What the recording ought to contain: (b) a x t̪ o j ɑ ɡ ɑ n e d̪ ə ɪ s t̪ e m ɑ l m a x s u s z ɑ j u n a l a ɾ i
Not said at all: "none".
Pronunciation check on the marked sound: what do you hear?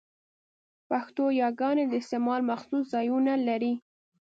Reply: p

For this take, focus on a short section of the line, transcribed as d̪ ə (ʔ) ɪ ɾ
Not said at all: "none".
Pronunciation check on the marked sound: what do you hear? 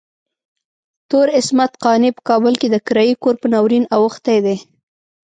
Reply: k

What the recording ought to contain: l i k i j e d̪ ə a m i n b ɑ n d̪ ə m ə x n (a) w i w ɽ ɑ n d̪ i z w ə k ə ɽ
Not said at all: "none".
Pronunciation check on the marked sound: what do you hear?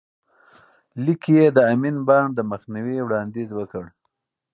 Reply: i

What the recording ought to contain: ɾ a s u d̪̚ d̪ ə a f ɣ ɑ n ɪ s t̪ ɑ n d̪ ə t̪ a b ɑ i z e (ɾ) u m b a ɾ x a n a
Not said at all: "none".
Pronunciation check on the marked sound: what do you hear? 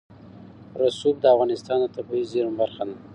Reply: ɾ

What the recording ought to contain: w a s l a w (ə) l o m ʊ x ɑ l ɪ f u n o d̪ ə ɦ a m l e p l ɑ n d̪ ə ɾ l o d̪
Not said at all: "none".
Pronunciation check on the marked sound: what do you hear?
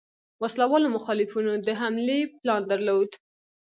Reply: ɑ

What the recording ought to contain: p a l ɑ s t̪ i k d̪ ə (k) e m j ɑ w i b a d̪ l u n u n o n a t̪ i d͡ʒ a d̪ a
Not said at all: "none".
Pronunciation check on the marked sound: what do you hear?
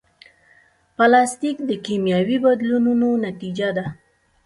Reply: k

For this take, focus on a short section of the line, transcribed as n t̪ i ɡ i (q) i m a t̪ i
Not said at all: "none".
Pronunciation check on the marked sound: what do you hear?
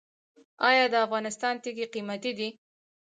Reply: q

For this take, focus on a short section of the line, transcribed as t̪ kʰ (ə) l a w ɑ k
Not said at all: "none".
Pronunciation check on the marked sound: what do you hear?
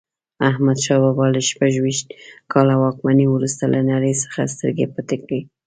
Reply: ɑ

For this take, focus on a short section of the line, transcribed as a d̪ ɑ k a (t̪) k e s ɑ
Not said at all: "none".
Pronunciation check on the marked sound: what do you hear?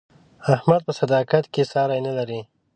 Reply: t̪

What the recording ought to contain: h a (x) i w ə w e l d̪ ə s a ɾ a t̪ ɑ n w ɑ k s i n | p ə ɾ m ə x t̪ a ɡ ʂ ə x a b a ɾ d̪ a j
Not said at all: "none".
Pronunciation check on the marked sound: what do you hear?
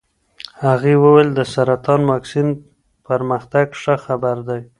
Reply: ɣ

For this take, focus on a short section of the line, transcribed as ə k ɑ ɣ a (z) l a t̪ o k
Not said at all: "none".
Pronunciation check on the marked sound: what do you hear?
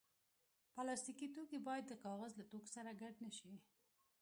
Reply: z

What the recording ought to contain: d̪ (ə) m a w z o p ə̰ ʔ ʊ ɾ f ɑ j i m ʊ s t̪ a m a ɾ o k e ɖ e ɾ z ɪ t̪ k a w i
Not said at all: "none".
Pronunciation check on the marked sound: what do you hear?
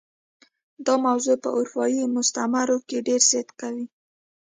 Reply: ɑ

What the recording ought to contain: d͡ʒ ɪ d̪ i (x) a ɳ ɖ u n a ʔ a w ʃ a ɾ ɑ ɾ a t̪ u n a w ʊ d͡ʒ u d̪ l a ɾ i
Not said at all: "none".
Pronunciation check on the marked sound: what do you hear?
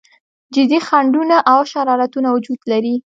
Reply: x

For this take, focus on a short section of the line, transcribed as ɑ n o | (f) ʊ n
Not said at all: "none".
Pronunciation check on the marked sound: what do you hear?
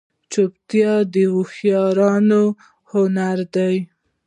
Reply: h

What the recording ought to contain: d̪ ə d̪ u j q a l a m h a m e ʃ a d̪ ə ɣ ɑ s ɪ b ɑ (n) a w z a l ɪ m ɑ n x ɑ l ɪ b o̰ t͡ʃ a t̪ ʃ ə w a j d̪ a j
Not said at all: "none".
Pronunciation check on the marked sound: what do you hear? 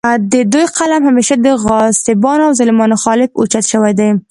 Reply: n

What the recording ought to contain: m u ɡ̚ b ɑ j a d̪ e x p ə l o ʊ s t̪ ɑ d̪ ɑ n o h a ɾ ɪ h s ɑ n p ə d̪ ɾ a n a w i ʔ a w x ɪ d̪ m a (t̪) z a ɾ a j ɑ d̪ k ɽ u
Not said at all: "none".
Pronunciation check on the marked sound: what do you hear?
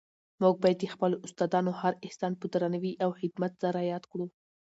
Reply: t̪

